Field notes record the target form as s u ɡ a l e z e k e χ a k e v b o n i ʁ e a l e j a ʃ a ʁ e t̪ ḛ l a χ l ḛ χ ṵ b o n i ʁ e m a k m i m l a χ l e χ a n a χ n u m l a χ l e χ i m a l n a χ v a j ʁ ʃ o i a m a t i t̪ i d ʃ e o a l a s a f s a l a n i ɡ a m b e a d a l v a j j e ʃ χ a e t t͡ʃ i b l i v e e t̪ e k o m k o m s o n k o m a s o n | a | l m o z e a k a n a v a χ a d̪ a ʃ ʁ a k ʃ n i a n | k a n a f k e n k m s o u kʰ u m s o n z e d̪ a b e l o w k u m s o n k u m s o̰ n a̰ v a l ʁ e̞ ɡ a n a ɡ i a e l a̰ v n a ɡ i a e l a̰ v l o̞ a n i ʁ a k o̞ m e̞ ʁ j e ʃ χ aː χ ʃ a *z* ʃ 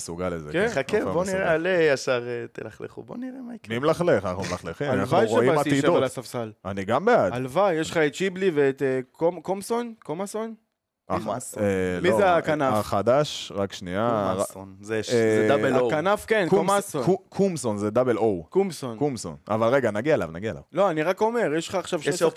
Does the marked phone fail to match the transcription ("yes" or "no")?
yes